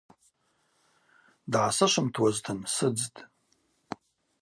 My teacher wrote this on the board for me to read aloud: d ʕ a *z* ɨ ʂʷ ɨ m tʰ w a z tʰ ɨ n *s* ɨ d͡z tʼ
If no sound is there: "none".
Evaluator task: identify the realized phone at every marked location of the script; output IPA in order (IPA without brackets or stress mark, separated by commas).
s, s